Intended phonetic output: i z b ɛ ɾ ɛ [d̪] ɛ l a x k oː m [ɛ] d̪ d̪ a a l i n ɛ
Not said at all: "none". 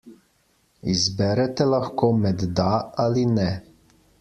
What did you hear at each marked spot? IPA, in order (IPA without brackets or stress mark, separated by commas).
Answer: t̪, ɛ